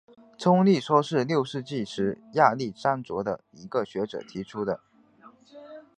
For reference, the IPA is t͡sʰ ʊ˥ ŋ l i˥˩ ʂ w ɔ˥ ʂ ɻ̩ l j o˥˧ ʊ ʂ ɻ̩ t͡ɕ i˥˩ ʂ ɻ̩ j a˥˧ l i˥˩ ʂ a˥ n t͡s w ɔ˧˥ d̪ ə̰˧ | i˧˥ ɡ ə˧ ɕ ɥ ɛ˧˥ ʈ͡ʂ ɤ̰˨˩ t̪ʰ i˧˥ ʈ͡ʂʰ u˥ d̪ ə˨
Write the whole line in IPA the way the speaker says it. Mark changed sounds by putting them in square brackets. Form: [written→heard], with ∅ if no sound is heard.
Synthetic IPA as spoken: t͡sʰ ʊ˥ ŋ l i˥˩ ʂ w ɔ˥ ʂ ɻ̩ l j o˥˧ ʊ ʂ ɻ̩ t͡ɕ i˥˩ ʂ ɻ̩ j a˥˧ l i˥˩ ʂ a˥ n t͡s w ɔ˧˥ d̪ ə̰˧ | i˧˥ ɡ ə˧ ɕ ɥ ɛ˧˥ ʈ͡ʂ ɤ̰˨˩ t̪ʰ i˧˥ ʈ͡ʂʰ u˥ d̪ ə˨